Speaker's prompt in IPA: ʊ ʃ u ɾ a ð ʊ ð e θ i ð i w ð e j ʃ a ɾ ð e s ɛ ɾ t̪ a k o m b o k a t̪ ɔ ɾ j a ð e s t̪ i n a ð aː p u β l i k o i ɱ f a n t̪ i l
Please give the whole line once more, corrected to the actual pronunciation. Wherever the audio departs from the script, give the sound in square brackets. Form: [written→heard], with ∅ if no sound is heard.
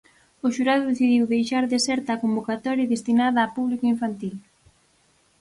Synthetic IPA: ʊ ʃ u ɾ a ð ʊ ð e θ i ð i w ð e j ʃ a ɾ ð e s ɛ ɾ t̪ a k o m b o k a t̪ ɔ ɾ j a ð e s t̪ i n a ð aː p u β l i k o i ɱ f a n t̪ i l